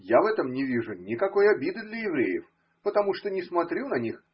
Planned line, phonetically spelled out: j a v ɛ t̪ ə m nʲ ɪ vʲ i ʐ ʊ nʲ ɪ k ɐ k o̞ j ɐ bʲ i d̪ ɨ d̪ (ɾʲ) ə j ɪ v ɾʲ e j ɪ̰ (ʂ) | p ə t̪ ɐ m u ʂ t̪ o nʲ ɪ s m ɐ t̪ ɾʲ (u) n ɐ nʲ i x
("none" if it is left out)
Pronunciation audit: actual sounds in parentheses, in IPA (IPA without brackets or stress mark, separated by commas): lʲ, f, u